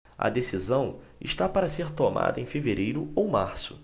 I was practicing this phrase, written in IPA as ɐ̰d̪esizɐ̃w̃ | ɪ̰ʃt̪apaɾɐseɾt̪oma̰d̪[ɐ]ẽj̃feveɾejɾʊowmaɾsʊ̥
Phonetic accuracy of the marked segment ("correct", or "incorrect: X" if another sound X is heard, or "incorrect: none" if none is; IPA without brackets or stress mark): correct